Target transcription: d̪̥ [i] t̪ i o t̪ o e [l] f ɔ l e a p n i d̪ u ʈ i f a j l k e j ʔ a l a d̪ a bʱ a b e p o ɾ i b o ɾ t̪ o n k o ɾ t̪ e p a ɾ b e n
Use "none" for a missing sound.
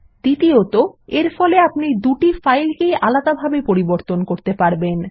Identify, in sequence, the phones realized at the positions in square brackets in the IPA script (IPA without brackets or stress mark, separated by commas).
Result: i, ɾ